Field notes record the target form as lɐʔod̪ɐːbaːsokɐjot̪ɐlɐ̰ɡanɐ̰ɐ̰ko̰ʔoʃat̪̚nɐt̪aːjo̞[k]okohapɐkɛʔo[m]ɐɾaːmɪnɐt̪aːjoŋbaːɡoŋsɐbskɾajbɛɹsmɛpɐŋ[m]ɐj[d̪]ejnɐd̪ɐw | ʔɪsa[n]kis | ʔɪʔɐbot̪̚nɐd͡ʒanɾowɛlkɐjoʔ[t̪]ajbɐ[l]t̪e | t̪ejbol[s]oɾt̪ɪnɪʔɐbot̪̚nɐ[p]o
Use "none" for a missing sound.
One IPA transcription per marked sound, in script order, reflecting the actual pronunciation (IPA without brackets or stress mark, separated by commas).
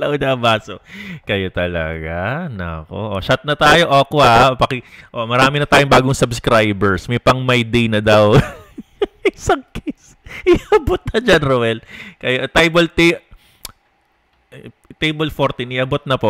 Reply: ʔ, m, m, d̪, ŋ, t̪, l, f, p